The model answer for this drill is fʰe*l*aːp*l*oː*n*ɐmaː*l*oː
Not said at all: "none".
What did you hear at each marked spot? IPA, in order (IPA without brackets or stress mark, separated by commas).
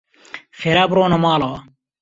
ɾ, ɾ, n, l